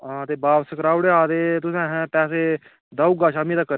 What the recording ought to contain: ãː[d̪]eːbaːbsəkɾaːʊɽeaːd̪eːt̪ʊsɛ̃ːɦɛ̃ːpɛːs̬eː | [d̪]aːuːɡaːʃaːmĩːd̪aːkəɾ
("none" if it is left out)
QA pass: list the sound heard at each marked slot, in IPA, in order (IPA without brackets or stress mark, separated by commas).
t̪, d̪